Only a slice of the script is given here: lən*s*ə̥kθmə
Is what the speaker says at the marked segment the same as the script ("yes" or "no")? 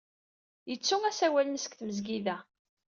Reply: yes